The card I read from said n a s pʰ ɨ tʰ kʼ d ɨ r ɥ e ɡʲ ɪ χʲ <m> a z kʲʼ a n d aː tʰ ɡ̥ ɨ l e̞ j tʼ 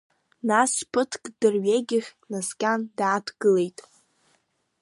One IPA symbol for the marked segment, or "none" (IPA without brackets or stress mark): n